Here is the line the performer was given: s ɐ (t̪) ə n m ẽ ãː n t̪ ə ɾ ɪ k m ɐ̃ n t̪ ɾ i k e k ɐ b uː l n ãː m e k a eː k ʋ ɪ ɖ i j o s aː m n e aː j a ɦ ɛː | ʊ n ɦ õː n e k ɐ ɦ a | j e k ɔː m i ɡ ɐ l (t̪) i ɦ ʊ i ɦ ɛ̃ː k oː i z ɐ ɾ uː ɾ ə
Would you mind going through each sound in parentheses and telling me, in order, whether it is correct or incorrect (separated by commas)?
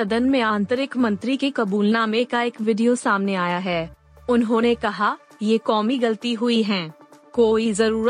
incorrect, correct